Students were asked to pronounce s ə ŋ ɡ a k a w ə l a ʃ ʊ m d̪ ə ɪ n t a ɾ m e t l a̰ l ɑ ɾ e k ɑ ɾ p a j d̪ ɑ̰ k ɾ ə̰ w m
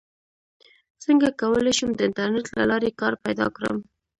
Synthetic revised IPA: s ə ŋ ɡ a k a w ə l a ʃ u m d̪ ə ɪ n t a ɾ n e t l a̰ l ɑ ɾ e k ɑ ɾ p a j d̪ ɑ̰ k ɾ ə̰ m